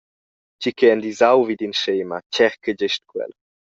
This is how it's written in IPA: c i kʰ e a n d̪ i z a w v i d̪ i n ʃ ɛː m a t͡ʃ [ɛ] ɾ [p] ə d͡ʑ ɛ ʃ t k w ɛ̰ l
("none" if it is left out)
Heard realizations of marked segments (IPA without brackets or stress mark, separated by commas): ɛ, k